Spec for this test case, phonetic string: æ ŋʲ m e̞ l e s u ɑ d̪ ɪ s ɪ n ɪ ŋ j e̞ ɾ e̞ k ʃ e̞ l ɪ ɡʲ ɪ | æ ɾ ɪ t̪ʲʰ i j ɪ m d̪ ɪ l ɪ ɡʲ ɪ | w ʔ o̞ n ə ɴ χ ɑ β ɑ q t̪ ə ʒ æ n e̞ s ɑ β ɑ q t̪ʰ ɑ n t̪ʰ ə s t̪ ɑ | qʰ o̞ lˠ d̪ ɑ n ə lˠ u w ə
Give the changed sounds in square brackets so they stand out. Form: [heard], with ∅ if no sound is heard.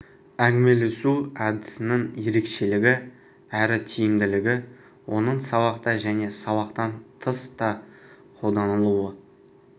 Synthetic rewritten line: æ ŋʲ m e̞ l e s u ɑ d̪ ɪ s ɪ n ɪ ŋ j e̞ ɾ e̞ k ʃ e̞ l ɪ ɡʲ ɪ | æ ɾ ɪ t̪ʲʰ i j ɪ m d̪ ɪ l ɪ ɡʲ ɪ | w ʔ o̞ n ə ɴ [s] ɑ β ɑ q t̪ [ɑ] ʒ æ n e̞ s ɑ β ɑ q [t̪] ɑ n t̪ʰ ə s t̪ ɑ | qʰ o̞ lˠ d̪ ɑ n ə lˠ u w ə